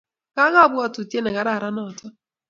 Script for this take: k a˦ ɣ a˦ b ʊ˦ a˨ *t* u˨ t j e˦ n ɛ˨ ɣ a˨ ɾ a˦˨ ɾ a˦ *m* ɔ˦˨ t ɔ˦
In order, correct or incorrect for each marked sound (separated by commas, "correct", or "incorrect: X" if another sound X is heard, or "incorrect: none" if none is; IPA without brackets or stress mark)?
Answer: correct, incorrect: n